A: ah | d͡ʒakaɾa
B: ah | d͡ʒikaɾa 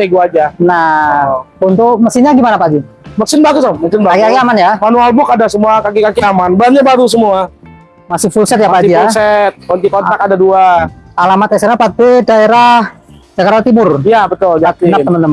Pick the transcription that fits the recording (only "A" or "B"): A